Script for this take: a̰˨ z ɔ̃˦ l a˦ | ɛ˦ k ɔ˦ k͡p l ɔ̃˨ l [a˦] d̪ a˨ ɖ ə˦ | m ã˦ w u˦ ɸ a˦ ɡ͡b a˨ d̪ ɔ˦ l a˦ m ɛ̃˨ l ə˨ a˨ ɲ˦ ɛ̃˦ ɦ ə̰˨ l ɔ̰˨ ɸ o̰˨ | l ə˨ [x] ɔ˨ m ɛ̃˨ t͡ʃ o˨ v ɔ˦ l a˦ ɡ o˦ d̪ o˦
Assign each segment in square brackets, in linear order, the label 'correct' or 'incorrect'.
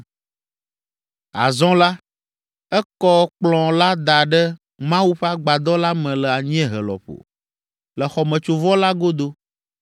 correct, correct

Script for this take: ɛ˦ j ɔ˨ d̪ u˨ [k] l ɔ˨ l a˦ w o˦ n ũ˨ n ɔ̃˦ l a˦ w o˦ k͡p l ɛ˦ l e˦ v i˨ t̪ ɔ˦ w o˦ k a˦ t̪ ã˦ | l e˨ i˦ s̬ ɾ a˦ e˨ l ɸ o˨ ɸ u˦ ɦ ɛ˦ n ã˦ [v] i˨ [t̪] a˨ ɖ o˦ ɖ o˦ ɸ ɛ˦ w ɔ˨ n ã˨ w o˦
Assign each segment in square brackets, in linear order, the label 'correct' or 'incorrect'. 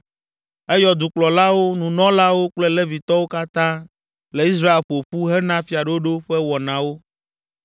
incorrect: k͡p, incorrect: f, incorrect: none

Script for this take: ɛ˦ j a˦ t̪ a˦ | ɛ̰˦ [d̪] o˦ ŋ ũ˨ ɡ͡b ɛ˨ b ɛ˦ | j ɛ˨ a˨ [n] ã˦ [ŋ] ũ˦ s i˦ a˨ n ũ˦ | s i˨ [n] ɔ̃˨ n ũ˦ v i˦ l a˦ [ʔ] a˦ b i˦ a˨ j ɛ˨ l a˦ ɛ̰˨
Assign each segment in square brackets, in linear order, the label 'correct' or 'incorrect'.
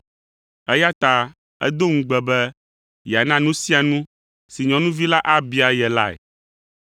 correct, correct, incorrect: n, incorrect: ɲ, correct

